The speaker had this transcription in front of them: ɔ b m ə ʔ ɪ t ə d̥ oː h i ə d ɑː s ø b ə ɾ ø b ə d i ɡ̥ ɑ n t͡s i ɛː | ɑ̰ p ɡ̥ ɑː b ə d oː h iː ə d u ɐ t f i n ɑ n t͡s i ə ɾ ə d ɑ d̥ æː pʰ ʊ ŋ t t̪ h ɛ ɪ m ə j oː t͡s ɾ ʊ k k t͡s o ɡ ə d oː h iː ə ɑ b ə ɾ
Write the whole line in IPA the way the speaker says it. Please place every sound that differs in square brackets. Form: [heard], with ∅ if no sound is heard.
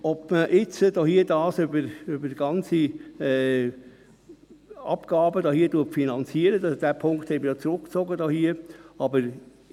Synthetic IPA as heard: ɔ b m ə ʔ ɪ [t͡s] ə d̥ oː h i ə d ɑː s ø b ə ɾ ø b ə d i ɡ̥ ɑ n t͡s i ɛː | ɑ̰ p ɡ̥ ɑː b ə d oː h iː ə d u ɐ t f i n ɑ n t͡s i ə ɾ ə d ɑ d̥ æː pʰ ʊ ŋ [k] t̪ h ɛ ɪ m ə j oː t͡s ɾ ʊ k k t͡s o ɡ ə d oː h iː ə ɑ b ə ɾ